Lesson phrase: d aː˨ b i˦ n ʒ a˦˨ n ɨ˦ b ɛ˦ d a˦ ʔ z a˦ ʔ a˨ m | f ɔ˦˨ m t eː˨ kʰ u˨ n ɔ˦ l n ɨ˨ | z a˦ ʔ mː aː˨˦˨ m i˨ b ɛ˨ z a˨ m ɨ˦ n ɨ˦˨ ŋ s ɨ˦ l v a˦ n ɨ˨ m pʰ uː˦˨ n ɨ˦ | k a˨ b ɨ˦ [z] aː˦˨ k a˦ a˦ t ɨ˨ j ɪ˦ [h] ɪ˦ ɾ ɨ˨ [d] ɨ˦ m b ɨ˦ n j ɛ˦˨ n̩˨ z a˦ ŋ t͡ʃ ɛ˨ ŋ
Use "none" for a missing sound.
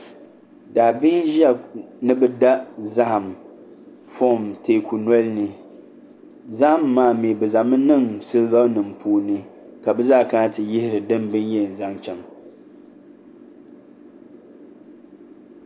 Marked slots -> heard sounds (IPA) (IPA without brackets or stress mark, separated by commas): z, h, d